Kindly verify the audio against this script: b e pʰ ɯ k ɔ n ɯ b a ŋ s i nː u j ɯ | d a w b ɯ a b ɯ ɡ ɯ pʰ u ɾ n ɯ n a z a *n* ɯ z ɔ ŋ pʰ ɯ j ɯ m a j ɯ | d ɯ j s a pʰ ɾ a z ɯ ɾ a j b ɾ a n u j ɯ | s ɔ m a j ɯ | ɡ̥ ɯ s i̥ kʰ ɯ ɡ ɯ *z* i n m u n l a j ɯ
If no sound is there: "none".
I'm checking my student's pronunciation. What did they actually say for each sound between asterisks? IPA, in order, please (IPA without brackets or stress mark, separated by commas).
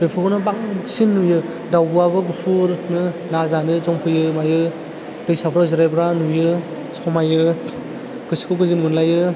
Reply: n, z